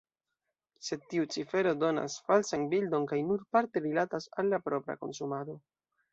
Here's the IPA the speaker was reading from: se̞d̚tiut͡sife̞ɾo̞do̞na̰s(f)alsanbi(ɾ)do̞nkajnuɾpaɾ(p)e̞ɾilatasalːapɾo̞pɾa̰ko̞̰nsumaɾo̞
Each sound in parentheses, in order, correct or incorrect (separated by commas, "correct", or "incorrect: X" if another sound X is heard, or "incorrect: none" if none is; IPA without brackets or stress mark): correct, incorrect: l, incorrect: t